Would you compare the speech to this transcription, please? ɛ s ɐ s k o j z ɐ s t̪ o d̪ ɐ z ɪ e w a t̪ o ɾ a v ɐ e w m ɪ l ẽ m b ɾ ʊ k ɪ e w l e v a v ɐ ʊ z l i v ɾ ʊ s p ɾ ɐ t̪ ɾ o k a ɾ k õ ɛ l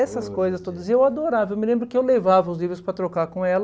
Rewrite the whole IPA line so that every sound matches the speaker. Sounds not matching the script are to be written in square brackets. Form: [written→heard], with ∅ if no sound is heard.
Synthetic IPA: ɛ s ɐ s k o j z ɐ s t̪ o d̪ ɐ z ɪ e w a [t̪→d̪] o ɾ a v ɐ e w m ɪ l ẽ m b ɾ ʊ k ɪ e w l e v a v ɐ ʊ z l i v ɾ ʊ s p ɾ ɐ t̪ ɾ o k a ɾ k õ ɛ l